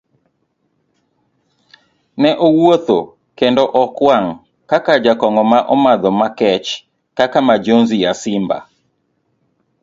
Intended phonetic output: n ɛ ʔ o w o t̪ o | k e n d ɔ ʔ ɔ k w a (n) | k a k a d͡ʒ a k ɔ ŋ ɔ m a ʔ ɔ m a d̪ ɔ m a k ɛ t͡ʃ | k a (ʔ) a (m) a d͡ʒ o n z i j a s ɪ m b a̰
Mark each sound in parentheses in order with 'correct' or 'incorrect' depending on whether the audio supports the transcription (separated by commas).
incorrect, incorrect, correct